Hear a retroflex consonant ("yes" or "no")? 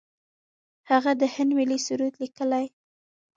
no